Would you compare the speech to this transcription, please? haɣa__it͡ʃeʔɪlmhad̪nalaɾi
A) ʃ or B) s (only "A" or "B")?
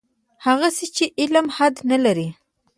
B